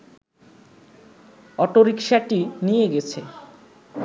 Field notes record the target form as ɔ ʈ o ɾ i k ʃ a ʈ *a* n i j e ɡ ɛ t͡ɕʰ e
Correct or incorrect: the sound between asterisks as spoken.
incorrect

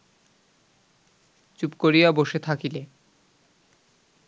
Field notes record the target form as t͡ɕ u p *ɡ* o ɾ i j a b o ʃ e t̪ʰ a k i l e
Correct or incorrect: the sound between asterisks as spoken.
incorrect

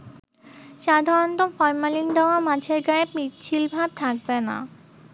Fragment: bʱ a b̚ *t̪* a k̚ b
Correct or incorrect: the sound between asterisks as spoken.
incorrect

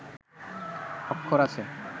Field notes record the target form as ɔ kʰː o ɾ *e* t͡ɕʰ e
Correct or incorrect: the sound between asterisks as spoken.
incorrect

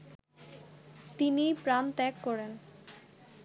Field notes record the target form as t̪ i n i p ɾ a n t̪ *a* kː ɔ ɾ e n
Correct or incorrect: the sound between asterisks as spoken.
incorrect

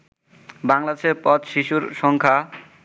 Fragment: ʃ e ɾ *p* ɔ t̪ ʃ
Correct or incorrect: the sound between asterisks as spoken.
correct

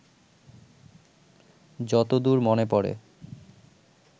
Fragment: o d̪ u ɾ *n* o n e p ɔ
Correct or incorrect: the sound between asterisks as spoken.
incorrect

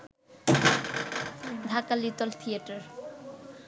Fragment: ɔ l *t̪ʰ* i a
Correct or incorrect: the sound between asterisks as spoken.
correct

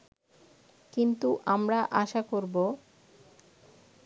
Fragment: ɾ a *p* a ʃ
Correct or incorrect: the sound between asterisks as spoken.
incorrect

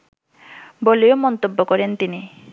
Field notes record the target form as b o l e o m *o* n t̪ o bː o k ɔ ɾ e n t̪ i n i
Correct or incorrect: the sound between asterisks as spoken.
incorrect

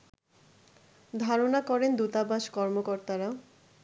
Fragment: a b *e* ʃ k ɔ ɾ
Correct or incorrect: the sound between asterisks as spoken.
incorrect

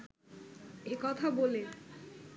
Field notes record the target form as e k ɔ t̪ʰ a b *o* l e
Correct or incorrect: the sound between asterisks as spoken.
correct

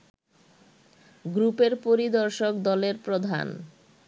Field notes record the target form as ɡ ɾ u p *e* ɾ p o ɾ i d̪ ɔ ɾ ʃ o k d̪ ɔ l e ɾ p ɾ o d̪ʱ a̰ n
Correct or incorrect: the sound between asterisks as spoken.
correct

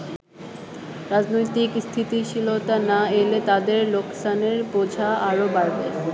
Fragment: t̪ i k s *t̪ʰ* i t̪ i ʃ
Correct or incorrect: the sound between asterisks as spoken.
correct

